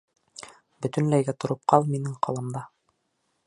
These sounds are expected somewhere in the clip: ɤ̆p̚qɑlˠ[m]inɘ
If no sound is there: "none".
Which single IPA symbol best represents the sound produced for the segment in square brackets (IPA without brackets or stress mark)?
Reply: m